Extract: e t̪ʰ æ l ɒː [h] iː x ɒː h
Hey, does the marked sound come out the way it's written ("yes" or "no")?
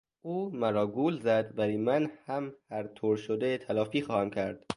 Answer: no